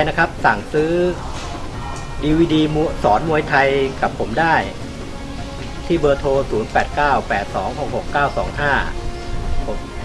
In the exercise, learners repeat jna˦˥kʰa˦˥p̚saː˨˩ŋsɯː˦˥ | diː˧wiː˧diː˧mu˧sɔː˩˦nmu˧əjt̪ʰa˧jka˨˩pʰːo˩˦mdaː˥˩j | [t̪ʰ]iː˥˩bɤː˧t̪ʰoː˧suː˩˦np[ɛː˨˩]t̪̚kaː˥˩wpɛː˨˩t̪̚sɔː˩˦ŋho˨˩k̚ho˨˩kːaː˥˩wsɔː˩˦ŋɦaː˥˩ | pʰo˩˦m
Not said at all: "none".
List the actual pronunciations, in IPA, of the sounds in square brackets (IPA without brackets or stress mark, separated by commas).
t̪ʰ, ɛː˨˩